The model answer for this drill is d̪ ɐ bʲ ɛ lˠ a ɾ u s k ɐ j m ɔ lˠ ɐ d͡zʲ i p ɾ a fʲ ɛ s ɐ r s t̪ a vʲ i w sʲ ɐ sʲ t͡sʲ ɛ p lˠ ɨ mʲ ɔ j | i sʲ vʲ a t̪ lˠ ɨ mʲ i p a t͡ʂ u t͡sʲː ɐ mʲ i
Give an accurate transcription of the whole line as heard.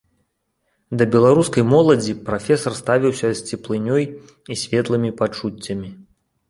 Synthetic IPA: d̪ ɐ bʲ ɛ lˠ a ɾ u s k ɐ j m ɔ lˠ ɐ d͡zʲ i p ɾ a fʲ ɛ s ɐ r s t̪ a vʲ i w sʲ ɐ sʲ t͡sʲ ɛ p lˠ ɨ nʲ ɔ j | i sʲ vʲ ɛ t̪ lˠ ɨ mʲ i p a t͡ʂ u t͡sʲː ɐ mʲ i